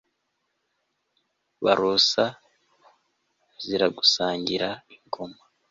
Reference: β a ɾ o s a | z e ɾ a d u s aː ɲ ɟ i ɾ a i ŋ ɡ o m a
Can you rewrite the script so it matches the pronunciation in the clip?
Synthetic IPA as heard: β a ɾ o s a | z i ɾ a ɡ u s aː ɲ ɟ i ɾ a i ŋ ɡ o m a